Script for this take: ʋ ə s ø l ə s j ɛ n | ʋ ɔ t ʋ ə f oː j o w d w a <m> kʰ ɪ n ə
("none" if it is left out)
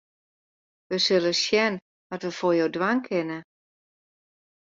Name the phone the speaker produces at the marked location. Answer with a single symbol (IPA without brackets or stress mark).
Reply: ŋ